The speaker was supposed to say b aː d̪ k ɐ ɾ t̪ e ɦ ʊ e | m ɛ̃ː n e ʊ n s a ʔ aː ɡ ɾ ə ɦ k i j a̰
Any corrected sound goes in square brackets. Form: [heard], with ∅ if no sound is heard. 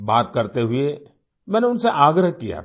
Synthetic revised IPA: b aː [t̪] k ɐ ɾ t̪ e ɦ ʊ e | m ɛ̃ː n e ʊ n s [e] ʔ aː ɡ ɾ ə ɦ k i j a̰